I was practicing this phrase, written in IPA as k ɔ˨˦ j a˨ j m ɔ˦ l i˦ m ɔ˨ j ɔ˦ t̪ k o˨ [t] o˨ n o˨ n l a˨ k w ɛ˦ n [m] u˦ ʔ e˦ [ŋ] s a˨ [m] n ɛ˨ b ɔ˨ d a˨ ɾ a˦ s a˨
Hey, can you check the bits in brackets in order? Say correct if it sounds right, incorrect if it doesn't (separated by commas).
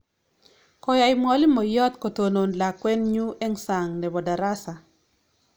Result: correct, incorrect, correct, incorrect